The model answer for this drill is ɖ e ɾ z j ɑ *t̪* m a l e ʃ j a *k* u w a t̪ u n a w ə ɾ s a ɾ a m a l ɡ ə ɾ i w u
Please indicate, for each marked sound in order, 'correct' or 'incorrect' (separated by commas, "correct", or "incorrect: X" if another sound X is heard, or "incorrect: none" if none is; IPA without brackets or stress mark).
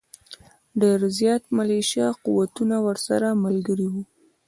correct, incorrect: q